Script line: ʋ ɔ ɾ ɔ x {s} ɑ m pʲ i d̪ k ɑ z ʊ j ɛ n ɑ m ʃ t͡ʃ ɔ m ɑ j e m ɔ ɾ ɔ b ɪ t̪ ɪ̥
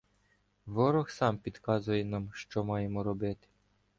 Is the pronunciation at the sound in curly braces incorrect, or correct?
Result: correct